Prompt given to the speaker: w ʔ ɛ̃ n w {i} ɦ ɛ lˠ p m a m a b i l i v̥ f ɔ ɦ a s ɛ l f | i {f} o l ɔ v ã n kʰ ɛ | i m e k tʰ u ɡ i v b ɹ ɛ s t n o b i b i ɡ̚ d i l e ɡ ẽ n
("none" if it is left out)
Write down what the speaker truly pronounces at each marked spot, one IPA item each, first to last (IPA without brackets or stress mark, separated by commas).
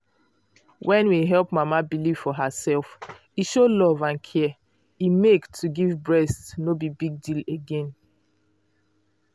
i, ʃ